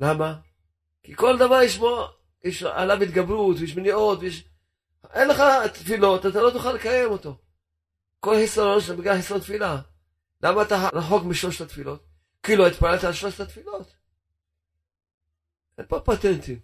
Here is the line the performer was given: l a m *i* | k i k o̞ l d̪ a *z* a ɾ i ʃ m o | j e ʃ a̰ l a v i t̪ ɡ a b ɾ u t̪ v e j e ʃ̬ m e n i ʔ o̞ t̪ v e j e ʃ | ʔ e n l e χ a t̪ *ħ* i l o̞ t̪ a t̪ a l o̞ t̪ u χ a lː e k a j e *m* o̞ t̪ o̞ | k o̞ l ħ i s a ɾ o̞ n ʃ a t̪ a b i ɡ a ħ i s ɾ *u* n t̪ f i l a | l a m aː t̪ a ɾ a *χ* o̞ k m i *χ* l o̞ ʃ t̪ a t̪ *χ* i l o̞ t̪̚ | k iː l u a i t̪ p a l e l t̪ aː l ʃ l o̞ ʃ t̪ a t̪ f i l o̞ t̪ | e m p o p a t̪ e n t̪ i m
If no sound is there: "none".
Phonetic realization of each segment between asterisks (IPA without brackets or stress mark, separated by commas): a, v, f, m, o, ħ, ʃ, f